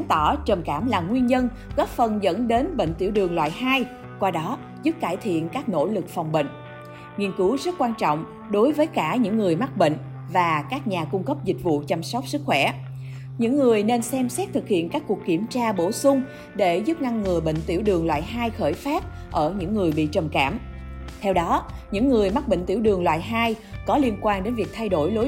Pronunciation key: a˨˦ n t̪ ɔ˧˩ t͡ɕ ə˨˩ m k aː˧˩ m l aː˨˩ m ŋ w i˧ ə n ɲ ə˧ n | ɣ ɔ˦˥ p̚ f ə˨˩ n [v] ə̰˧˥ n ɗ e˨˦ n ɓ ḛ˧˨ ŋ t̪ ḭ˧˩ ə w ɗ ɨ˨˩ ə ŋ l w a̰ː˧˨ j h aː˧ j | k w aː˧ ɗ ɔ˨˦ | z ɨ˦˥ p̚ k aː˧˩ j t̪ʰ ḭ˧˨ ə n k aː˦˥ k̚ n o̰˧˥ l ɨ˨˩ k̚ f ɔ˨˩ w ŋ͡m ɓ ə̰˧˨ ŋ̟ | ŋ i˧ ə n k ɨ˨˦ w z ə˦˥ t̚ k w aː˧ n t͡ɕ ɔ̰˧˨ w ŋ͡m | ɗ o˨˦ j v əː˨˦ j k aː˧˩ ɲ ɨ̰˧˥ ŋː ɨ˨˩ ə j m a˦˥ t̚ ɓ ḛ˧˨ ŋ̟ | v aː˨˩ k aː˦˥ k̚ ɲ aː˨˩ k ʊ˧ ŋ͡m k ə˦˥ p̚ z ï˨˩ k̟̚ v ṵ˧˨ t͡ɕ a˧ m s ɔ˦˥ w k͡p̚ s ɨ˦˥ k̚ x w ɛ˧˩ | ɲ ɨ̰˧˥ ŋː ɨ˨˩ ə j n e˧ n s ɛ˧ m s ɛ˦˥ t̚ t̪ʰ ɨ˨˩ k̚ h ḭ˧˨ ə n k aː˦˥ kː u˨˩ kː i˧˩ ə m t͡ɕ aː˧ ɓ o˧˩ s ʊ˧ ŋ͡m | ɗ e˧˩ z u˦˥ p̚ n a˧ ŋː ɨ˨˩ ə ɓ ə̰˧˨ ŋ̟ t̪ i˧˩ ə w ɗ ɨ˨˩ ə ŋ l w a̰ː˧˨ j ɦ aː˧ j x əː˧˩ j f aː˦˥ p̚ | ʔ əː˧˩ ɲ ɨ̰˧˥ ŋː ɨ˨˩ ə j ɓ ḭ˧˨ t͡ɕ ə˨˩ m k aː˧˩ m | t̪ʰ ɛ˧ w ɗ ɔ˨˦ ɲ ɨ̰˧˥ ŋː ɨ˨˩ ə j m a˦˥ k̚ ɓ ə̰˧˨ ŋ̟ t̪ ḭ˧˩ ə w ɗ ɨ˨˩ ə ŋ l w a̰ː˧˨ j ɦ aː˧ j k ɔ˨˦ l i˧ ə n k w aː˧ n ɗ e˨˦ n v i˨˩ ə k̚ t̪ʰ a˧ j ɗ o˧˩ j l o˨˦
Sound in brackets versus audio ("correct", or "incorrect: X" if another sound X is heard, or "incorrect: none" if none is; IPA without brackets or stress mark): incorrect: z